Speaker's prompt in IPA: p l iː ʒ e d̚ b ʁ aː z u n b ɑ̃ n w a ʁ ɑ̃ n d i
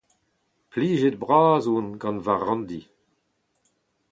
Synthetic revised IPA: p l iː ʒ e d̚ b ʁ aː z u n ɡ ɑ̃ n v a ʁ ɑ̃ n d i